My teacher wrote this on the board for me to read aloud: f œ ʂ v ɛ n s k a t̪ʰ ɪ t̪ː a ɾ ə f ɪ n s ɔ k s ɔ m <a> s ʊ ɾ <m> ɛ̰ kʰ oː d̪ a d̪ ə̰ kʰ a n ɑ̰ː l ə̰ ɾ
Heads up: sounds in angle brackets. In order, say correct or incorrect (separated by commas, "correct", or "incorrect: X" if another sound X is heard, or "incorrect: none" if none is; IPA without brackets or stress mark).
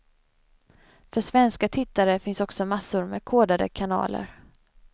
correct, correct